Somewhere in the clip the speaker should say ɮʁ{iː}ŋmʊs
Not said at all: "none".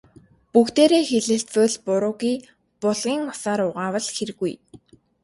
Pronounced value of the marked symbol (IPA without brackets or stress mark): iː